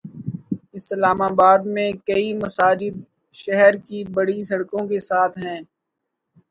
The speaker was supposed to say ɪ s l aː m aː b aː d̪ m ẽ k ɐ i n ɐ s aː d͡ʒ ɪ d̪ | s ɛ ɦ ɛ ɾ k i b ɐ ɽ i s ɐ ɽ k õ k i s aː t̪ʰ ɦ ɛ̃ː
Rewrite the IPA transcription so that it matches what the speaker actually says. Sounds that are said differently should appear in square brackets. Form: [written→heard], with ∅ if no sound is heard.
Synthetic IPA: ɪ s l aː m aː b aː d̪ m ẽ k ɐ i [n→m] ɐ s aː d͡ʒ ɪ d̪ | [s→ʃ] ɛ ɦ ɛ ɾ k i b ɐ ɽ i s ɐ ɽ k õ k [i→e] s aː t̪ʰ ɦ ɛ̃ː